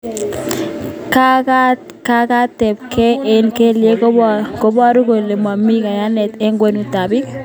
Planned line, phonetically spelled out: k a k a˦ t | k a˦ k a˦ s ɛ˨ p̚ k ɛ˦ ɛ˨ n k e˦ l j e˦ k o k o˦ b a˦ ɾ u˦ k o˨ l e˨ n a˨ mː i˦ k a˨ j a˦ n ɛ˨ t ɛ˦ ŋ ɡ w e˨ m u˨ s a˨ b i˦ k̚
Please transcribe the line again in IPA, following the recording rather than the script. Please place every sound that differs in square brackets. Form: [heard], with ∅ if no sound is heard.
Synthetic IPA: k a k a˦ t | k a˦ k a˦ [t] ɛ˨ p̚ k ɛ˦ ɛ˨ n k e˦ l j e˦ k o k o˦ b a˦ ɾ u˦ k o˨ l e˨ [m] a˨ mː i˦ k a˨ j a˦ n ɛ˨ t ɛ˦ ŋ ɡ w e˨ [n] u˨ [t] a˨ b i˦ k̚